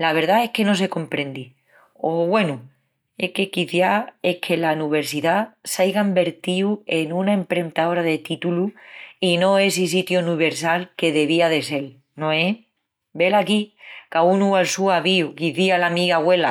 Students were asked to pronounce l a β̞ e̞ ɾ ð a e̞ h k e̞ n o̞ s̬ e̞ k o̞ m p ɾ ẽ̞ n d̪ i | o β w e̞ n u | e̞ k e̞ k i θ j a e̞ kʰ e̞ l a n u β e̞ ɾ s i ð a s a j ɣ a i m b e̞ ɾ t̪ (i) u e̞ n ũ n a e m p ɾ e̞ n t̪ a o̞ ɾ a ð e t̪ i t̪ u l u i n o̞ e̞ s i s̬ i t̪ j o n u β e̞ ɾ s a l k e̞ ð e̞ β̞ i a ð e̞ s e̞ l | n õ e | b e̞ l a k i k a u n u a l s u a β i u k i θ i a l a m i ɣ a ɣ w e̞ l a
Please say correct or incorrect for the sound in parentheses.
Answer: correct